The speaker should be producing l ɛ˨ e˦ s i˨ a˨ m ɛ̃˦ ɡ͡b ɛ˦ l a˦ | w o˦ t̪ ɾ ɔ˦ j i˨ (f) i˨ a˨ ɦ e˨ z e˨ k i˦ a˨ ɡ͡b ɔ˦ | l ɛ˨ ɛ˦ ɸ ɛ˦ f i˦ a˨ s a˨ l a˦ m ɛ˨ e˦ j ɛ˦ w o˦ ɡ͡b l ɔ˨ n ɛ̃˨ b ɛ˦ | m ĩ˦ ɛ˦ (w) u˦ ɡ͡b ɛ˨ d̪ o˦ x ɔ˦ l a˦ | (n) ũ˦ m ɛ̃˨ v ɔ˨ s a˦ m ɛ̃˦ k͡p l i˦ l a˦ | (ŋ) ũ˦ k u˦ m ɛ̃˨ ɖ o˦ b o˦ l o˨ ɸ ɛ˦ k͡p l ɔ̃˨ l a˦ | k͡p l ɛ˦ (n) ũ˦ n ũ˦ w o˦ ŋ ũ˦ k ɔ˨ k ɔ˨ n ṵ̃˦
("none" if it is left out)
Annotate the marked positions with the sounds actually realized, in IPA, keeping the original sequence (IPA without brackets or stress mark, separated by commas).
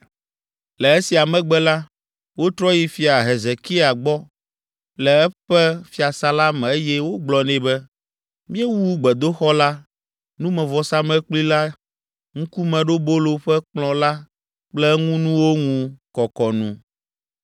f, w, n, ŋ, ŋ